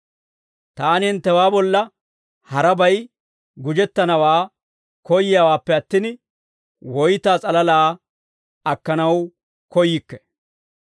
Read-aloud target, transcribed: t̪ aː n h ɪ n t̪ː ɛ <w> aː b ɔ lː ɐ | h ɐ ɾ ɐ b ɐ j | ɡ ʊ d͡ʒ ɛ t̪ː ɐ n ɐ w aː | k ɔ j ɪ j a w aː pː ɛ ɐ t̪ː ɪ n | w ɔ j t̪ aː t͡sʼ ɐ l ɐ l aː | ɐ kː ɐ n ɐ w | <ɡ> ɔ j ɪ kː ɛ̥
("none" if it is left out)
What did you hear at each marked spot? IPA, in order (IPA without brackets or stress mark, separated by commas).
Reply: w, k